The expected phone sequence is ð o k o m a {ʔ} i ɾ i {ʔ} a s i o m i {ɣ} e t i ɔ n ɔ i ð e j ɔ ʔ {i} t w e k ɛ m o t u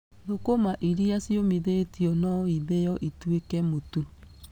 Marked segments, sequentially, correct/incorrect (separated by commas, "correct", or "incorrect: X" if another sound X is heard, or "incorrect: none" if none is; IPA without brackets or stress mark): correct, incorrect: none, incorrect: ð, correct